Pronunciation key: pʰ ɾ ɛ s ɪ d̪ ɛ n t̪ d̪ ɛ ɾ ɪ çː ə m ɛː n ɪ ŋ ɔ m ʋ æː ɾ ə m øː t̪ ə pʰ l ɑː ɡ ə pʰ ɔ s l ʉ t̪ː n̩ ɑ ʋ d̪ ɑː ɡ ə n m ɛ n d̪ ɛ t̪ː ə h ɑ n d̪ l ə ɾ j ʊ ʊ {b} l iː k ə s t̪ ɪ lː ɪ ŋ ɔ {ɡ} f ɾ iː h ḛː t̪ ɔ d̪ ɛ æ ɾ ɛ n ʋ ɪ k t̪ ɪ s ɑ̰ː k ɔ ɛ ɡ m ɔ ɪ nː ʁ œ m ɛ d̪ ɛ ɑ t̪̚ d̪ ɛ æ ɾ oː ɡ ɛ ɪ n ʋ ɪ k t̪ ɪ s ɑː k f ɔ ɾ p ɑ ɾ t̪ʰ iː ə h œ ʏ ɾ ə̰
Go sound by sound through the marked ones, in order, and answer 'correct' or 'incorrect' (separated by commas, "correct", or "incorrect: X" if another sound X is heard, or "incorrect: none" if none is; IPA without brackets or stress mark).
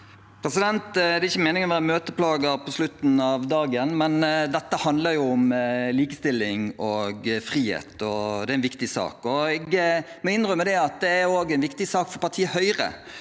incorrect: m, correct